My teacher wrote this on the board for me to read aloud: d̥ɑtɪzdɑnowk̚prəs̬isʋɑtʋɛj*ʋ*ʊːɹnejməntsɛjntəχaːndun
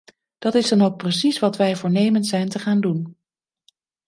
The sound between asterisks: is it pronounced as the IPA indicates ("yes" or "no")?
no